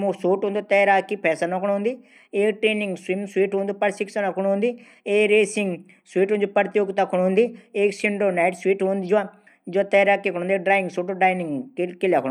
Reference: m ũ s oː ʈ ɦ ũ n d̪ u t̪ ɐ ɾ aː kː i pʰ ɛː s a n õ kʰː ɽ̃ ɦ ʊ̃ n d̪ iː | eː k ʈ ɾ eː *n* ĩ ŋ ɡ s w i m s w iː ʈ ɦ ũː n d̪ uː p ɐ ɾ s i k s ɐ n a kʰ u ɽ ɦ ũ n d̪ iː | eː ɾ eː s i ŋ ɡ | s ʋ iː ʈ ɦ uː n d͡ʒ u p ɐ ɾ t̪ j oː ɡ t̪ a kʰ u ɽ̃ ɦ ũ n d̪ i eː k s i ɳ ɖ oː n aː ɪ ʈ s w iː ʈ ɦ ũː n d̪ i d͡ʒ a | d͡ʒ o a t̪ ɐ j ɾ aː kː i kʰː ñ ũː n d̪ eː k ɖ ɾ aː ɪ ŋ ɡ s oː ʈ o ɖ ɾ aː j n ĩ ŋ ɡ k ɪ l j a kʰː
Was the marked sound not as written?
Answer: no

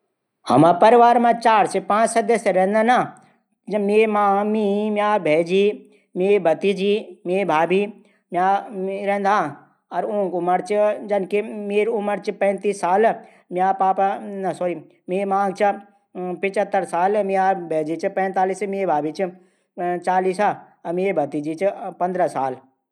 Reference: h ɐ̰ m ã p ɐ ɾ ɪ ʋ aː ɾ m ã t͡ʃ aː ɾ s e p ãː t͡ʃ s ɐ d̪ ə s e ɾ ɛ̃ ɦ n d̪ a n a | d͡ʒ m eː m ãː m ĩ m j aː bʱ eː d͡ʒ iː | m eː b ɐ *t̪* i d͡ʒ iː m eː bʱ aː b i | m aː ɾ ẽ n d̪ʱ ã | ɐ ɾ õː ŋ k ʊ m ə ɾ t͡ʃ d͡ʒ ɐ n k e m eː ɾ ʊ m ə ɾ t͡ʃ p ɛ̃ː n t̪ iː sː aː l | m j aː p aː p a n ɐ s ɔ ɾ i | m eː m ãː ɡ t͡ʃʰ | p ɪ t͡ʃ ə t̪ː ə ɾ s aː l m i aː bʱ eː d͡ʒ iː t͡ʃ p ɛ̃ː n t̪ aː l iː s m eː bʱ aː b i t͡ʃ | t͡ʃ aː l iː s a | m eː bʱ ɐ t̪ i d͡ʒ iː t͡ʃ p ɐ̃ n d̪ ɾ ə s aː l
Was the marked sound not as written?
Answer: no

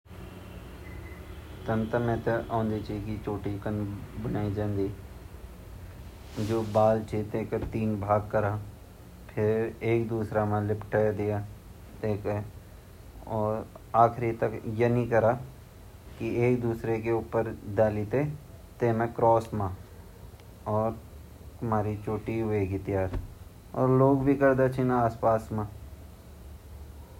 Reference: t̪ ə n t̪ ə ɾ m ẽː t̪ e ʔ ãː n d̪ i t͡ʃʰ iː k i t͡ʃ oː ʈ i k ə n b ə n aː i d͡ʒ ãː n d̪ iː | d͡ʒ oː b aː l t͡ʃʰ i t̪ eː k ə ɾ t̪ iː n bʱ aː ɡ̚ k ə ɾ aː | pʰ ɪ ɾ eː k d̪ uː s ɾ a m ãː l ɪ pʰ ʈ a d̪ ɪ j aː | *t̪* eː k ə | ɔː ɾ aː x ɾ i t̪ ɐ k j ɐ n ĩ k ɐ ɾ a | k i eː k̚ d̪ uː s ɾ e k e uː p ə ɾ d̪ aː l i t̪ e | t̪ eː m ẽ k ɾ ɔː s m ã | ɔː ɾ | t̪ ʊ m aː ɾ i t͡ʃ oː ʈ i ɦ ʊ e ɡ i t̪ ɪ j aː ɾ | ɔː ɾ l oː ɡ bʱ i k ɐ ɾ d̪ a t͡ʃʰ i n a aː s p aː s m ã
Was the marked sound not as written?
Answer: no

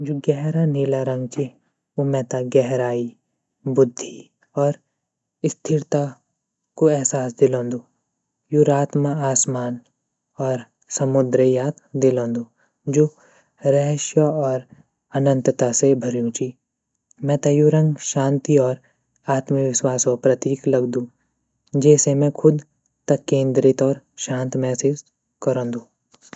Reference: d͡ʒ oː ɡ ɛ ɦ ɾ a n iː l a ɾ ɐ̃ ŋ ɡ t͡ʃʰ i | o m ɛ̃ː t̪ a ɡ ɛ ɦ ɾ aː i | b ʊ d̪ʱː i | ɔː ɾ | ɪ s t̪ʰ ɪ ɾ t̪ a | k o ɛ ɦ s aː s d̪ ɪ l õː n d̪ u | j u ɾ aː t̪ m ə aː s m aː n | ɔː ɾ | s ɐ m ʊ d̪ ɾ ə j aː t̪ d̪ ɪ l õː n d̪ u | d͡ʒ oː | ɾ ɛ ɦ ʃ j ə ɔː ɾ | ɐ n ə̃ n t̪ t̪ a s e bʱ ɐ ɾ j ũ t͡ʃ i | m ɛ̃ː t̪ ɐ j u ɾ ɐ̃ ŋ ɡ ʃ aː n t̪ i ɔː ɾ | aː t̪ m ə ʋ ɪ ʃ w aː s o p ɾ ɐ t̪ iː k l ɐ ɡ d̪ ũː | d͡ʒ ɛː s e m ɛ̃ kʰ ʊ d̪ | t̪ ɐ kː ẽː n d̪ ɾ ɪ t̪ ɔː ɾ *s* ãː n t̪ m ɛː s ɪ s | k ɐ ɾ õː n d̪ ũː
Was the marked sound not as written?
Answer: yes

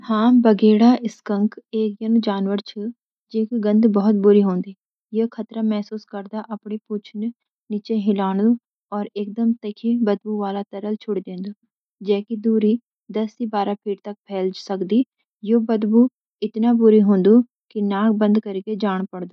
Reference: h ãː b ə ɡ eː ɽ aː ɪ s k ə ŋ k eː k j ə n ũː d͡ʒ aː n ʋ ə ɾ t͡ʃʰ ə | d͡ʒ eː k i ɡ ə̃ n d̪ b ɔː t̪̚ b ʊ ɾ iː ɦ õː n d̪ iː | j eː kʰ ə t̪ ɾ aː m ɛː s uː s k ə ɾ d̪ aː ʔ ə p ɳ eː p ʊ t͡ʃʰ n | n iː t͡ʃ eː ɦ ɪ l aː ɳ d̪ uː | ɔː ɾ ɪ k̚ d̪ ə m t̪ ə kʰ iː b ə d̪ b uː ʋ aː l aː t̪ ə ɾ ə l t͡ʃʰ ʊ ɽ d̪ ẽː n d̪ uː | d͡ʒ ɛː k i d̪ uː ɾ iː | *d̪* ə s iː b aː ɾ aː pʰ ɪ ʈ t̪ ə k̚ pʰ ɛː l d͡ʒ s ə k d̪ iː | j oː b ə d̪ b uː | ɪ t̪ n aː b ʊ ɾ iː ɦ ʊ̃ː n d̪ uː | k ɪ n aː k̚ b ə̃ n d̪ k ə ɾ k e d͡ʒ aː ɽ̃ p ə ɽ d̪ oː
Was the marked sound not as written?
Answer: no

